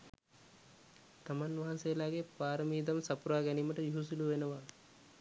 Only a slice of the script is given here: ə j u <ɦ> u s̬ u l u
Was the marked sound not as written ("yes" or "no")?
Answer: no